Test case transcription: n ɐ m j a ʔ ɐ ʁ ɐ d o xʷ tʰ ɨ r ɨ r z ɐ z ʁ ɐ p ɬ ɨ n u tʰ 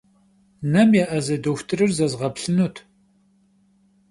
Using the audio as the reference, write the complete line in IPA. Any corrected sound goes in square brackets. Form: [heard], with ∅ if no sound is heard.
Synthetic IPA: n ɐ m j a ʔ ɐ [z] ɐ d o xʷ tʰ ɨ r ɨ r z ɐ z ʁ ɐ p ɬ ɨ n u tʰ